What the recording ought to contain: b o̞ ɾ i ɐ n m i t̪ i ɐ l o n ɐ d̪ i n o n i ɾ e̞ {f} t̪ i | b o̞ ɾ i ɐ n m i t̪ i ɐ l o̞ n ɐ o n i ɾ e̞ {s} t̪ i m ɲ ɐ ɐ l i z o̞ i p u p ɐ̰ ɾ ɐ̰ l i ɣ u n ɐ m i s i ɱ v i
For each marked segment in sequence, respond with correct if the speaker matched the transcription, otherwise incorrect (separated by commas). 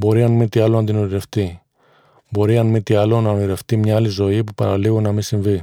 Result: correct, incorrect